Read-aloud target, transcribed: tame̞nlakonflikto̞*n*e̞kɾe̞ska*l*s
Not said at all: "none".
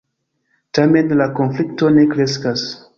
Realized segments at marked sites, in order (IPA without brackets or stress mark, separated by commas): n, none